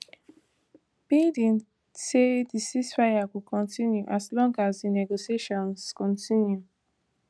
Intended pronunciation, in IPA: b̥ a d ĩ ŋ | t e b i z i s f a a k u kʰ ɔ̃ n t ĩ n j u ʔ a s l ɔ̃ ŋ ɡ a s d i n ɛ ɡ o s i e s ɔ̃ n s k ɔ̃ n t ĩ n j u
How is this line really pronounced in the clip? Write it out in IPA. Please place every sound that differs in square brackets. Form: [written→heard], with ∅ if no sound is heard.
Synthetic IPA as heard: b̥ [a→i] d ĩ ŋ | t e [b→d] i [z→s] i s f a a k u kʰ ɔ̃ n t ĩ n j u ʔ a s l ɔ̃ ŋ ɡ a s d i n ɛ ɡ o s i e [s→ʃ] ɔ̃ n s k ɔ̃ n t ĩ n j u